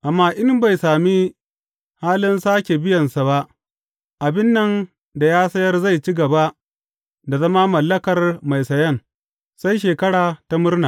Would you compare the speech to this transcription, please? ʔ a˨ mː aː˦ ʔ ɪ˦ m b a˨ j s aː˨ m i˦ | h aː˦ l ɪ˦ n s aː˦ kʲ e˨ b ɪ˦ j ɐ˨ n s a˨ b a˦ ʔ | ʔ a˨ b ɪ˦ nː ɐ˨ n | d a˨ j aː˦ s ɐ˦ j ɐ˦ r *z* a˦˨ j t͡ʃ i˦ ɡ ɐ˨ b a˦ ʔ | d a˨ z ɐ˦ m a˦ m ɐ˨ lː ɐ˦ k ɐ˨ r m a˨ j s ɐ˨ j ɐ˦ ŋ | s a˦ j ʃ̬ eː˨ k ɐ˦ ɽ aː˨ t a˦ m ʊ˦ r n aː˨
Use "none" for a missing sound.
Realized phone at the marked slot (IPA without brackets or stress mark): z